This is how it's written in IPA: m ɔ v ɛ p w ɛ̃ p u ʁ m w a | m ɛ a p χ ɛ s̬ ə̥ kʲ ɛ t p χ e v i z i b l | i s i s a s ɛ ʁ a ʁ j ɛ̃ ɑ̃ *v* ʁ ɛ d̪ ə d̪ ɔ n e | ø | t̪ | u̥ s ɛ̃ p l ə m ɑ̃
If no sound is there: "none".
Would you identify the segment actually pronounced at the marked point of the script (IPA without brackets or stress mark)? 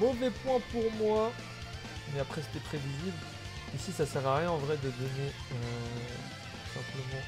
v